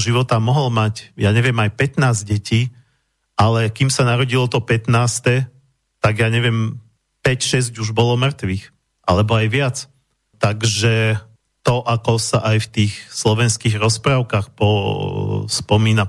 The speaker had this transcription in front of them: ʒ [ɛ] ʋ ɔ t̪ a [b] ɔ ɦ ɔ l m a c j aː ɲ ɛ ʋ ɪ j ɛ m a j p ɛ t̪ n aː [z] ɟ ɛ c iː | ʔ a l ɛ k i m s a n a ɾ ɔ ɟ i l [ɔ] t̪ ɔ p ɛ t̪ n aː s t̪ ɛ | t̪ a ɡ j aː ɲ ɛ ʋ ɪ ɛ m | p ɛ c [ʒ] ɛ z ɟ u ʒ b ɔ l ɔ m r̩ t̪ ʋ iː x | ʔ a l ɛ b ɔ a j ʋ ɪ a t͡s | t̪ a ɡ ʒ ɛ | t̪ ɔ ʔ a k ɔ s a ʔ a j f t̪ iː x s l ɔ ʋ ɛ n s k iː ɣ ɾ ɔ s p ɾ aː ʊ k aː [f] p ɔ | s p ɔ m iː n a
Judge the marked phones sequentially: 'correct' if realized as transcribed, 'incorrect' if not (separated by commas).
incorrect, incorrect, correct, correct, incorrect, incorrect